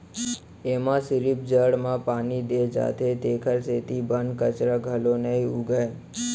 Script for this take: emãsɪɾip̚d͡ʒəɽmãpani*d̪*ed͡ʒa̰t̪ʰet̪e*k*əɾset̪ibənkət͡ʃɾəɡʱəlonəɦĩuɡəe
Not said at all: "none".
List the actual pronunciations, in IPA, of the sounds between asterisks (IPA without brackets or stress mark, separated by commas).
d̪, kʰ